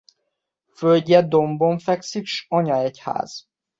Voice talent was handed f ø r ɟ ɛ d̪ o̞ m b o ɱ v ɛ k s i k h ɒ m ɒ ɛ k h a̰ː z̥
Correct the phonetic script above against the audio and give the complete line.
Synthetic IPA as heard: f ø l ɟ ɛ d̪ o̞ m b o ɱ f ɛ k s i k ʃ ɒ ɲ ɒ ɛ c h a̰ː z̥